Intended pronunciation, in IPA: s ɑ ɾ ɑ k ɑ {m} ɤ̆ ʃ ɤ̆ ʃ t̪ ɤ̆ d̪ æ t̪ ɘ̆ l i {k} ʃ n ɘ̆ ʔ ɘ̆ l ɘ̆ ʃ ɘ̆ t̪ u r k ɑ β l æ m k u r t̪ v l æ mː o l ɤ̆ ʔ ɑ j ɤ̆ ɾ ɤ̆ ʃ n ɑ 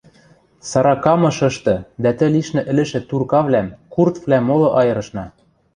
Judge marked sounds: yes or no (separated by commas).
yes, no